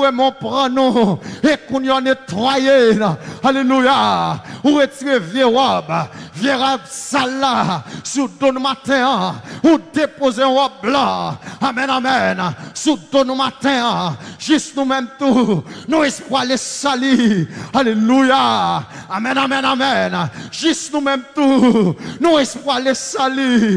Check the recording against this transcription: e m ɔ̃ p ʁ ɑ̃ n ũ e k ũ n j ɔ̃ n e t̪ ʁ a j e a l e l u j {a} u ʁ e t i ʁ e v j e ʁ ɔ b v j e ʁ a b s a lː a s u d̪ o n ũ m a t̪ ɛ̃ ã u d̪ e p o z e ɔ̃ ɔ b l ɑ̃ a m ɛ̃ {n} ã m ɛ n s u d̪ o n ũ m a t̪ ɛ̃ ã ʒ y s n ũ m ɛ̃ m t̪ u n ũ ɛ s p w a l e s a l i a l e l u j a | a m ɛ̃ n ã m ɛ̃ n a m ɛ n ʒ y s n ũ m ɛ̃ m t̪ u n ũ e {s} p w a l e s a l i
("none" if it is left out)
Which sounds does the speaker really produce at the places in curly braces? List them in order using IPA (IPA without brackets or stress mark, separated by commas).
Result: a, n, s